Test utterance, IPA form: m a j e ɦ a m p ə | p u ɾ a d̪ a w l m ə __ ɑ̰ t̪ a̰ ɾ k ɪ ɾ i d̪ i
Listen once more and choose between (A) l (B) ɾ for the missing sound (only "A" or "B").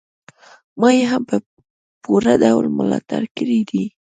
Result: A